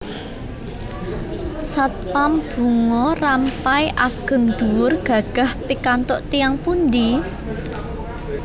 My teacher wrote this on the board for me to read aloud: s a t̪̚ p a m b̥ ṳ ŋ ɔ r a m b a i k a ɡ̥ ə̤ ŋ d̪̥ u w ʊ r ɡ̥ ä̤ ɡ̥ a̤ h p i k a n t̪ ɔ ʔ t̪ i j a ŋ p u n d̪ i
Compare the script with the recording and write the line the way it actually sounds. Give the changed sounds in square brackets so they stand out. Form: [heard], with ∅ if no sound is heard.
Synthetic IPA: s a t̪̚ p a m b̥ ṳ ŋ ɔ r a m [p] a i [ʔ] a ɡ̥ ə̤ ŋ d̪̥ u w ʊ r ɡ̥ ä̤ ɡ̥ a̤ h p i k a n t̪ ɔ ʔ t̪ i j a ŋ p u n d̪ i